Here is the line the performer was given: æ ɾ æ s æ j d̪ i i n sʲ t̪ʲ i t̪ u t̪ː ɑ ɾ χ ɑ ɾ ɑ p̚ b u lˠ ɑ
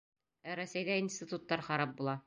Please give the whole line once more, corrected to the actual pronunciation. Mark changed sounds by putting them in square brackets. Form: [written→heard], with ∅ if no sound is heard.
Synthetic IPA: æ ɾ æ s æ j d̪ [i→æ] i n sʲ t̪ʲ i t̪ u t̪ː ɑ ɾ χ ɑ ɾ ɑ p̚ b u lˠ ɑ